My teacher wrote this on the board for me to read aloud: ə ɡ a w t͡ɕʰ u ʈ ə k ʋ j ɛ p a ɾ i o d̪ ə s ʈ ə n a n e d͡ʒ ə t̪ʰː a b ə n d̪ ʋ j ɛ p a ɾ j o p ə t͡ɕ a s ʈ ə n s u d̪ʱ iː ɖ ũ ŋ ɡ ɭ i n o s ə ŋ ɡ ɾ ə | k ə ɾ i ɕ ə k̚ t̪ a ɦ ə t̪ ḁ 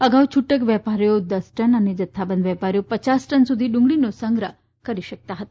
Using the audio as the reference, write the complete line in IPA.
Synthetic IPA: ə ɡ a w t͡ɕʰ u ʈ ə k ʋ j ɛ p a ɾ j o d̪ ə s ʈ ə n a n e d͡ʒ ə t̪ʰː a b ə n d̪ ʋ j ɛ p a ɾ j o p ə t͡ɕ a s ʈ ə n s u d̪ʱ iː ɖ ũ ŋ ɡ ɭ i n o s ə ŋ ɡ ɾ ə | k ə ɾ i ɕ ə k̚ t̪ a ɦ ə t̪ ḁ